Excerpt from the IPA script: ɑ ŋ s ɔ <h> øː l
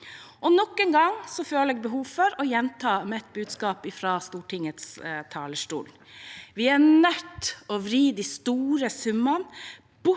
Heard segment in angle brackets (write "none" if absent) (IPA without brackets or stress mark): f